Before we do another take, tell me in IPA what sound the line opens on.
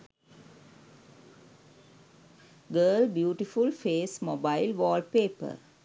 ɡ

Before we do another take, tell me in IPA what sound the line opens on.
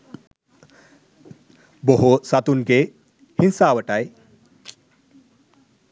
b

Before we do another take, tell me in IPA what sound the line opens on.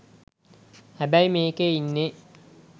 h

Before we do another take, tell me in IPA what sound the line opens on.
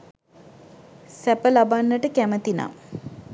s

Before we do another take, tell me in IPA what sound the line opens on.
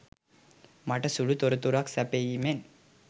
m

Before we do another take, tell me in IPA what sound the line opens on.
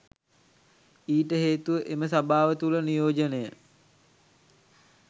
iː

